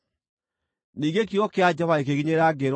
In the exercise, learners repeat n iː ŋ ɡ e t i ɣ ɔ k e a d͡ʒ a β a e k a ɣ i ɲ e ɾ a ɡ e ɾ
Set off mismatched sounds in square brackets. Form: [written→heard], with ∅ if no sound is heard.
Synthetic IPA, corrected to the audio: n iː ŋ ɡ e [t→k] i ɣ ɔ k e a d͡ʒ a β a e k [a→e] ɣ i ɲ e ɾ a ɡ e ɾ